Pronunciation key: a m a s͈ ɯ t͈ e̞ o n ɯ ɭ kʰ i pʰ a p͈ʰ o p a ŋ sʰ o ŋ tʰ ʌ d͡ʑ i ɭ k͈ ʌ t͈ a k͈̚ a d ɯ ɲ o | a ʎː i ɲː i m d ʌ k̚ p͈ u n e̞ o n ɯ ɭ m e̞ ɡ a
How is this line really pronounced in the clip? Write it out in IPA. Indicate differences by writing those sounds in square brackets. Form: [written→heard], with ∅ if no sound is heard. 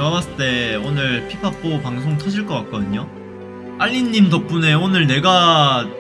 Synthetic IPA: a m a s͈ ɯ t͈ e̞ o n ɯ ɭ [kʰ→pʰ] i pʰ a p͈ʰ o p a ŋ sʰ o ŋ tʰ ʌ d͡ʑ i ɭ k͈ ʌ [t͈→k͈] a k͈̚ [a→ʌ] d ɯ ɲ o | a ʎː i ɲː i m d ʌ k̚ p͈ u n e̞ o n ɯ ɭ [m→n] e̞ ɡ a